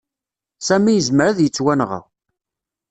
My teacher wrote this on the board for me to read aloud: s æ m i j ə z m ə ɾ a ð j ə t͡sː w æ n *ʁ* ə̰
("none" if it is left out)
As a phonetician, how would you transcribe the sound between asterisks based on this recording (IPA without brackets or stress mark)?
ʁ